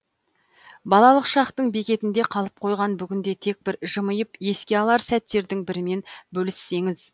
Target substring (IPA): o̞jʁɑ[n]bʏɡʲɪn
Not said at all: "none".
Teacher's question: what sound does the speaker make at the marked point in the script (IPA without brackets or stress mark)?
n